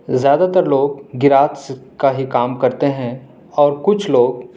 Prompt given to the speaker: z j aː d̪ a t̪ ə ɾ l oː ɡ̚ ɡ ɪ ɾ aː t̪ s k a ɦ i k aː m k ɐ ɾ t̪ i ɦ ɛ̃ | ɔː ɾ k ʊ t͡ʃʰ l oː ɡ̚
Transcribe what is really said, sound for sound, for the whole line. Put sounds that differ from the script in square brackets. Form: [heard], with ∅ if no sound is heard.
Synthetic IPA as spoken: z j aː d̪ a t̪ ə ɾ l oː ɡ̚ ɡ ɪ ɾ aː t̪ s k a ɦ i k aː m k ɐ ɾ t̪ [e] ɦ ɛ̃ | ɔː ɾ k ʊ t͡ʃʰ l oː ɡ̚